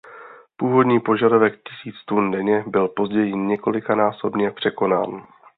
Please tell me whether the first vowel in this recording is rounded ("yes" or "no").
yes